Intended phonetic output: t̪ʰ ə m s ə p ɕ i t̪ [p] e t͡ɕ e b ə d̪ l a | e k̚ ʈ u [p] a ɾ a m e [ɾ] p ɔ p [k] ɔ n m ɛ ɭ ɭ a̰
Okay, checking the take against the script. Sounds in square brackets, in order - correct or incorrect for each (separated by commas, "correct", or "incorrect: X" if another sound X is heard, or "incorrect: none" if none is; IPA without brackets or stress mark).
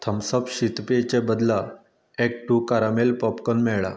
correct, incorrect: k, incorrect: l, correct